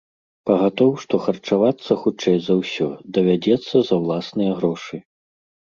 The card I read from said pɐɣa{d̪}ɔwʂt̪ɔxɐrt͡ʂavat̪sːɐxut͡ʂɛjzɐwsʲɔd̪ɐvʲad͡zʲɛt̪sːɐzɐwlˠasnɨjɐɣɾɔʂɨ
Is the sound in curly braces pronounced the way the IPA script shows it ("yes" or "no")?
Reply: no